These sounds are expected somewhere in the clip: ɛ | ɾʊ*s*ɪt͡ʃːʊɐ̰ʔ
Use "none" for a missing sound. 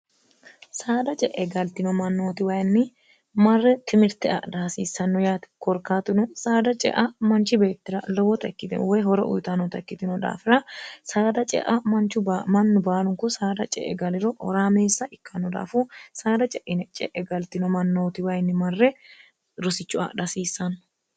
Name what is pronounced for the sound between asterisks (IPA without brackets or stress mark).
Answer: s